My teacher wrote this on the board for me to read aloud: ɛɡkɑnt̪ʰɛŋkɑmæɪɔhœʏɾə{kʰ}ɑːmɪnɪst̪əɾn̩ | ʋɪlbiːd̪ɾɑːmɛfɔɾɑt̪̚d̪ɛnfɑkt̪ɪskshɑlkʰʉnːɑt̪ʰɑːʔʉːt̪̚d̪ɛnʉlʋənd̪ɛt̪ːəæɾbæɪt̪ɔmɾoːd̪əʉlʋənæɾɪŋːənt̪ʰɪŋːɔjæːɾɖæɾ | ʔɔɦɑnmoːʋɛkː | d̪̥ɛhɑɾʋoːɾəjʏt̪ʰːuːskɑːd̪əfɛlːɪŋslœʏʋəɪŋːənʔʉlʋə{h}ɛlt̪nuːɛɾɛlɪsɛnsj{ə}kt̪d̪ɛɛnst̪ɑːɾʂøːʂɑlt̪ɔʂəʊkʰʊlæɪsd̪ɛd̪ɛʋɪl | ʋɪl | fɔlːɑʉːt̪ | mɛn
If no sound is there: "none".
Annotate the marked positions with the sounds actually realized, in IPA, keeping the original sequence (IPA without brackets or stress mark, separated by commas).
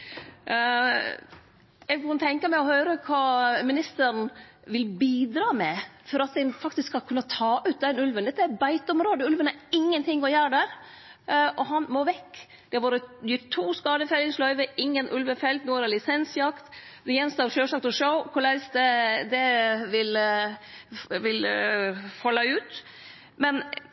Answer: kʰ, f, ɑ